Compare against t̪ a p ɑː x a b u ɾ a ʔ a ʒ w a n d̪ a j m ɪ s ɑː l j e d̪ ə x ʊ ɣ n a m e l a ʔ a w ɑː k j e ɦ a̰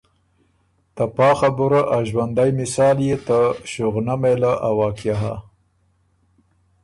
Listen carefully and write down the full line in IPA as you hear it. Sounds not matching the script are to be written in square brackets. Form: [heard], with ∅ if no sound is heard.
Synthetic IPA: t̪ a p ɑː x a b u ɾ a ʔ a ʒ w a n d̪ a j m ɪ s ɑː l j e [t̪] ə [ʃ] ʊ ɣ n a m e l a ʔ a w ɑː k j [a] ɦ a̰